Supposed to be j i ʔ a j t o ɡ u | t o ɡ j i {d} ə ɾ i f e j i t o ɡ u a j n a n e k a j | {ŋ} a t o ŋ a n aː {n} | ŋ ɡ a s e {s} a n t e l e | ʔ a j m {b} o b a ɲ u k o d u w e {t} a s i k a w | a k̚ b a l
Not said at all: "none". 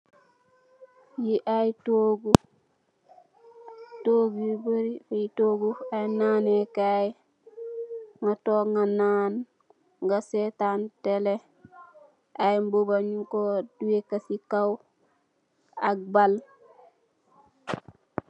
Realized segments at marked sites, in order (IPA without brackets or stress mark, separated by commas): b, ŋ, n, t, b, k